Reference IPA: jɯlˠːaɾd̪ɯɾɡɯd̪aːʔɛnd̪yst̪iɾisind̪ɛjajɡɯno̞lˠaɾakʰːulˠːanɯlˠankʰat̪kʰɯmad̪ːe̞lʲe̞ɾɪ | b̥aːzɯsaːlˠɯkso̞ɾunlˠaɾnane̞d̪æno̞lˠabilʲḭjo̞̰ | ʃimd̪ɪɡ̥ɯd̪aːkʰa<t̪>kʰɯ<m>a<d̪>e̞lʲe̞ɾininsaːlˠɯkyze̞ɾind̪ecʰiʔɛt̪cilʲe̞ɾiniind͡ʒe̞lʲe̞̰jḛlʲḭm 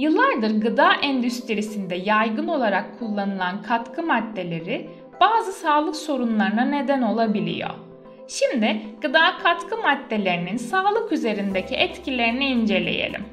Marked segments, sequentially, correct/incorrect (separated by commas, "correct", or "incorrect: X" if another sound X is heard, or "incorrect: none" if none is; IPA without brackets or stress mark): correct, correct, incorrect: d̪ː